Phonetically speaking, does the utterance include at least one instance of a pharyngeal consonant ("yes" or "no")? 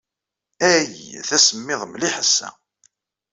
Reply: yes